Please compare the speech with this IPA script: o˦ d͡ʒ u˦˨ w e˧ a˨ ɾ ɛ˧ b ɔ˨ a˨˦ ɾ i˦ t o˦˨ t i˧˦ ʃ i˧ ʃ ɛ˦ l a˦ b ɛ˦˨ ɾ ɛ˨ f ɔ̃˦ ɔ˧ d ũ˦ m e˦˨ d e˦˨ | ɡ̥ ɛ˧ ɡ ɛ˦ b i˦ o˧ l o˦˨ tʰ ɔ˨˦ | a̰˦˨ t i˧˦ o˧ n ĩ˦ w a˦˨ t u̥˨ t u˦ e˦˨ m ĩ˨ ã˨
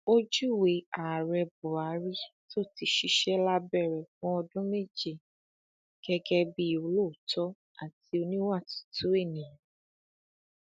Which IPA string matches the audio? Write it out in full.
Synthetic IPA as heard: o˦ d͡ʒ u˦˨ w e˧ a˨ ɾ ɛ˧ b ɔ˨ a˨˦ ɾ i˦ t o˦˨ t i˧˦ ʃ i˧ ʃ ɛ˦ l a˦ b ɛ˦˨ ɾ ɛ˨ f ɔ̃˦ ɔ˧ d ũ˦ m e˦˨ d͡ʒ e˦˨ | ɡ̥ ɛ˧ ɡ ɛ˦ b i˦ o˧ l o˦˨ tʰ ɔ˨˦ | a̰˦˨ t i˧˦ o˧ n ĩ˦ w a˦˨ t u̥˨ t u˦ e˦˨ n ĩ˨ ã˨